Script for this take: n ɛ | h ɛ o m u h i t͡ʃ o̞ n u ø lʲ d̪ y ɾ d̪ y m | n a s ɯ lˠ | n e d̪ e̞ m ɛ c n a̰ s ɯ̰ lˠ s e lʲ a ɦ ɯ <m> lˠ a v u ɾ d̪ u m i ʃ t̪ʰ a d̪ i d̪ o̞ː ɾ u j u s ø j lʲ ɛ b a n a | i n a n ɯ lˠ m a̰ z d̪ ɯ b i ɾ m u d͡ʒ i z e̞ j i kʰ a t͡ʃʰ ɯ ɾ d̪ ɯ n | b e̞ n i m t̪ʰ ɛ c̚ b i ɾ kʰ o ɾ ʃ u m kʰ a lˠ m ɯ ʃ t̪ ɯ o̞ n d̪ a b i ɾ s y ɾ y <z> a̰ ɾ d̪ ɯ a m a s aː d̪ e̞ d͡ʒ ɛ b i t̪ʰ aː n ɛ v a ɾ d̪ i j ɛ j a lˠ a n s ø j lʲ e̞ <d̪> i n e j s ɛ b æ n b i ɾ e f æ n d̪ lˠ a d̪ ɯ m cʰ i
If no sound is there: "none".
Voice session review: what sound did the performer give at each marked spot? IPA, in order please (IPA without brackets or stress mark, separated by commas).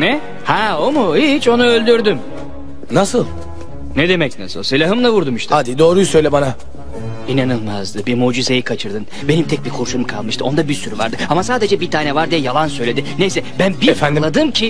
m, v, d̪